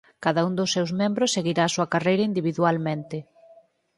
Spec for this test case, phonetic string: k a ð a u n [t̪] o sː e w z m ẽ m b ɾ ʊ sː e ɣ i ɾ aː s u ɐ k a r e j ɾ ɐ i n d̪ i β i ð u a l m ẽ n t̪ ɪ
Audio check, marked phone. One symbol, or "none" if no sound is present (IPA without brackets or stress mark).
d̪